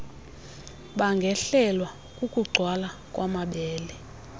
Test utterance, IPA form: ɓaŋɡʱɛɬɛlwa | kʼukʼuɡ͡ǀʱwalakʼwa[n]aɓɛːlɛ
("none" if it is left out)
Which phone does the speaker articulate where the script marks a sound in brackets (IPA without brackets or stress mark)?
m